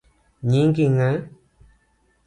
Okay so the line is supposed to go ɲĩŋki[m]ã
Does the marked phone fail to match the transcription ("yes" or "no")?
yes